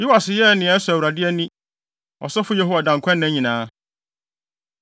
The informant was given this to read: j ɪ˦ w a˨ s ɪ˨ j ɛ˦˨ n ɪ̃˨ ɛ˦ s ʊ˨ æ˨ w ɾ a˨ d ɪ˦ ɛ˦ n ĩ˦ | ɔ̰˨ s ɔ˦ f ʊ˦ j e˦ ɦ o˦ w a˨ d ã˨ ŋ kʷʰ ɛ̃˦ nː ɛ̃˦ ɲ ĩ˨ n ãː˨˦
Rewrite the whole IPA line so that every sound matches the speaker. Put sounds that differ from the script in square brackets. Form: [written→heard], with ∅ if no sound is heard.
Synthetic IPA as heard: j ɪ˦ w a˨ s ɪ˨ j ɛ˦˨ n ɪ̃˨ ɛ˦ s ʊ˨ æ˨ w ɾ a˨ d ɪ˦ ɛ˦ n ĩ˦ | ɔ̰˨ s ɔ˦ f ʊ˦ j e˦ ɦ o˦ w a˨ d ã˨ ŋ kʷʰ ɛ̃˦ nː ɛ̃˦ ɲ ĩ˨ n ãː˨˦